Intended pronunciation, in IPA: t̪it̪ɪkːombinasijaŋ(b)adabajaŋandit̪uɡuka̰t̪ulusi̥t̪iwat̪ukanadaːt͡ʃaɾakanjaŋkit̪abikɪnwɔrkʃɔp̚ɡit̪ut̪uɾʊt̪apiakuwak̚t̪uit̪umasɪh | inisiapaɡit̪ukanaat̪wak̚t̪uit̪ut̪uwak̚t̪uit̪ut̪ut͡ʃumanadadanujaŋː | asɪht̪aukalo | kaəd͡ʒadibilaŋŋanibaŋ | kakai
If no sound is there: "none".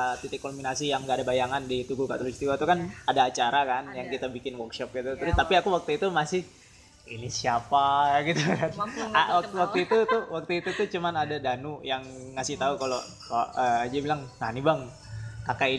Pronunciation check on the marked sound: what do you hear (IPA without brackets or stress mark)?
ɡ